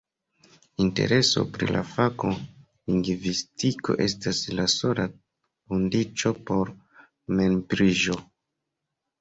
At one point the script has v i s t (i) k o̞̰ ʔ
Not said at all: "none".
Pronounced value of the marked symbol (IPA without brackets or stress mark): i